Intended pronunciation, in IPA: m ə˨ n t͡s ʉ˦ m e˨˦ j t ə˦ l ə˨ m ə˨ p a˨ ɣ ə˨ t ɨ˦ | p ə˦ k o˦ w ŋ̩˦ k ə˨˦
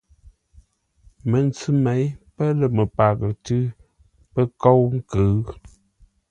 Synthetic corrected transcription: m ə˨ n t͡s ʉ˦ m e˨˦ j p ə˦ l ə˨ m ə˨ p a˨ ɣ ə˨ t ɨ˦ | p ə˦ k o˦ w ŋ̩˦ k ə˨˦